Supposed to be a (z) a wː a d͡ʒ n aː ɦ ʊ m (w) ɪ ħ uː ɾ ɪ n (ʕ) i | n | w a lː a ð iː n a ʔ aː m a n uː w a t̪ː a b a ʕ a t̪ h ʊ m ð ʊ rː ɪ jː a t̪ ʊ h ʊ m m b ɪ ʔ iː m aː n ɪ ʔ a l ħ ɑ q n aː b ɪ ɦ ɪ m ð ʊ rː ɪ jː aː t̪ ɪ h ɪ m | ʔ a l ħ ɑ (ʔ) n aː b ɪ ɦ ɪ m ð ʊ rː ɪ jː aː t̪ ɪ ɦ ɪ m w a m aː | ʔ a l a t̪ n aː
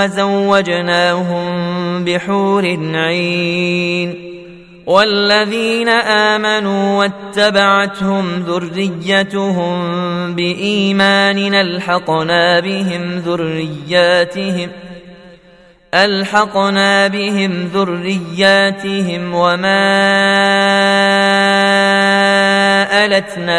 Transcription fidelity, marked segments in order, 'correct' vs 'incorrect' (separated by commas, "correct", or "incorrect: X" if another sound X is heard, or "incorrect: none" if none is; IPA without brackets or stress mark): correct, incorrect: b, correct, incorrect: q